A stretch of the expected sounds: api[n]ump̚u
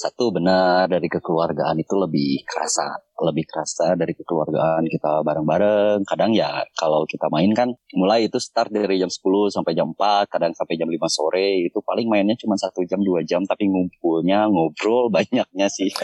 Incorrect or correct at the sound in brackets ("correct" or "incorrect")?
incorrect